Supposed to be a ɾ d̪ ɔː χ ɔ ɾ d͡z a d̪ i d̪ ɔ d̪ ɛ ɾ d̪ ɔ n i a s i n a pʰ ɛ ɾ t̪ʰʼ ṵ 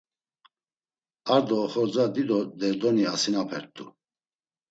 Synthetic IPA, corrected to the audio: a ɾ d̪ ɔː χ ɔ ɾ d͡z a d̪ i d̪ ɔ d̪ ɛ ɾ d̪ ɔ n i a s i n a pʰ ɛ ɾ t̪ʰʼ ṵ